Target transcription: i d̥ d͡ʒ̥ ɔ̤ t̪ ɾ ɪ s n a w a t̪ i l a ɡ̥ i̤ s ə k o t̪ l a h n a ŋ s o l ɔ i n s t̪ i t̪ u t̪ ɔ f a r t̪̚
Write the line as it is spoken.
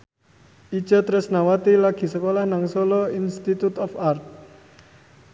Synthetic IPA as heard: i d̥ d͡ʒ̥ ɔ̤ t̪ ɾ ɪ s n a w a t̪ i l a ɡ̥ i̤ s ə k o l a h n a ŋ s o l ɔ i n s t̪ i t̪ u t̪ ɔ f a r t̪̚